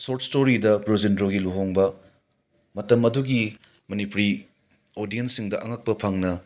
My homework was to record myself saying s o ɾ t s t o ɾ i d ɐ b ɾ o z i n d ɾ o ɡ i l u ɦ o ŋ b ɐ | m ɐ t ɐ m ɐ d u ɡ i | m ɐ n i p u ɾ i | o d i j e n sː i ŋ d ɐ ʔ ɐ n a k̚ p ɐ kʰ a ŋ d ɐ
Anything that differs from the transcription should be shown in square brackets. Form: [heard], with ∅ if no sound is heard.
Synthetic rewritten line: s o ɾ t s t o ɾ i d ɐ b ɾ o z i n d ɾ o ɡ i l u ɦ o ŋ b ɐ | m ɐ t ɐ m ɐ d u ɡ i | m ɐ n i p u ɾ i | o d i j e n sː i ŋ d ɐ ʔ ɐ [ŋ] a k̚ p ɐ [pʰ] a ŋ [n] ɐ